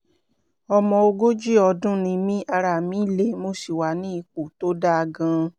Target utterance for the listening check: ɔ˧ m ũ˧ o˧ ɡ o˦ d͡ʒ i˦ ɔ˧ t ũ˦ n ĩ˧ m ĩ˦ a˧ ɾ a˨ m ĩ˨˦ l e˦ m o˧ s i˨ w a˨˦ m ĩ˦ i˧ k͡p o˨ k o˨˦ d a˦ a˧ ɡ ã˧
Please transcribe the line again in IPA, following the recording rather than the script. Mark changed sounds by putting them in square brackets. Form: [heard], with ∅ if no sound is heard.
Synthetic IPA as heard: ɔ˧ m [ɔ̃˧] o˧ ɡ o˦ d͡ʒ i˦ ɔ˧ [d] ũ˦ n ĩ˧ m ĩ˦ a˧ ɾ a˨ m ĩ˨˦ l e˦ m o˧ s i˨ w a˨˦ [n] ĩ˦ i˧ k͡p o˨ [t] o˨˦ d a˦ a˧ ɡ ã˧